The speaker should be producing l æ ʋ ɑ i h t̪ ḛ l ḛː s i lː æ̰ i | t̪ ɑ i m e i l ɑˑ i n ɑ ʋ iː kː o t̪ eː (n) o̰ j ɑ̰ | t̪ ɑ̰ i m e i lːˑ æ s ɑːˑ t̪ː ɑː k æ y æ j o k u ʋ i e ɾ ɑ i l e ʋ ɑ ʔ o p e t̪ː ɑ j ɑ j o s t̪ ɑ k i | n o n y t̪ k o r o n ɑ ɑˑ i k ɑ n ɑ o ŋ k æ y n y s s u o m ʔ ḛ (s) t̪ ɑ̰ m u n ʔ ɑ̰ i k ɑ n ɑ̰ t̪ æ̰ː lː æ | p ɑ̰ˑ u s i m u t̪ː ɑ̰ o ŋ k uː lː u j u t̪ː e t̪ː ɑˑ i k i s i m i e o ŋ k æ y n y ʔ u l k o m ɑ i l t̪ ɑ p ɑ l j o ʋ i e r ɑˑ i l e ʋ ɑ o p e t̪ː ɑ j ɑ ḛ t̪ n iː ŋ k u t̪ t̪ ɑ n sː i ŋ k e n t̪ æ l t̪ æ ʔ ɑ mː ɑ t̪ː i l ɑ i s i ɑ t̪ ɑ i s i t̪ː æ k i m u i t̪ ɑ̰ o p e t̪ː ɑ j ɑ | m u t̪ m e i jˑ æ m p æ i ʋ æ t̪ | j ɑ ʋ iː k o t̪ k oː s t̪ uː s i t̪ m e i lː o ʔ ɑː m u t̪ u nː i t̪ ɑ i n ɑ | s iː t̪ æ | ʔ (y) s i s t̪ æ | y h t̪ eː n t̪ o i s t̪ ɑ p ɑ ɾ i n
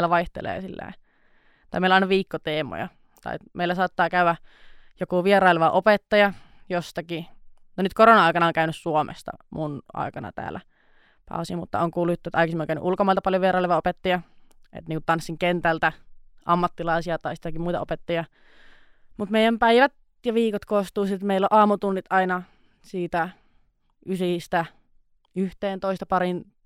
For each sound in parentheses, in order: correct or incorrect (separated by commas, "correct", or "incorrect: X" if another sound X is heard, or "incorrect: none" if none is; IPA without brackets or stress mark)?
incorrect: m, correct, correct